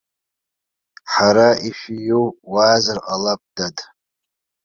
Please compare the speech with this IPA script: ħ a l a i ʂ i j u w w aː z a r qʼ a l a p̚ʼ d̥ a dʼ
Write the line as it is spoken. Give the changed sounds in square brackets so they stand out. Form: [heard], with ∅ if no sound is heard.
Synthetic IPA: ħ a [ɾ] a i [ʃ] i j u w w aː z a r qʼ a l a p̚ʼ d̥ a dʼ